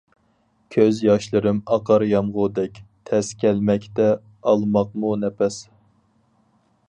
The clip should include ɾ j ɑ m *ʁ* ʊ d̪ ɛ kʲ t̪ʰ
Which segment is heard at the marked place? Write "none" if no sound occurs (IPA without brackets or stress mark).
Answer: ʁ